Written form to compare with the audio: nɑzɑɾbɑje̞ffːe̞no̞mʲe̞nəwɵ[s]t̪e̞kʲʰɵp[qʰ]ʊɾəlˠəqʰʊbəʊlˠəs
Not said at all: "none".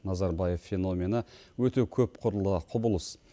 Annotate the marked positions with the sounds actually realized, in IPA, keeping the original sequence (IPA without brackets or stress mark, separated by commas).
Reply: none, qʰ